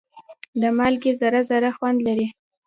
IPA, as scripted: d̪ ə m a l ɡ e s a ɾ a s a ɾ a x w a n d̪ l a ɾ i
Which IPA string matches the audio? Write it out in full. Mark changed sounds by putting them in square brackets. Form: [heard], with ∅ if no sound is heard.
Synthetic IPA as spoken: d̪ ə m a l ɡ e [z] a ɾ a [z] a ɾ a x w a n d̪ l a ɾ i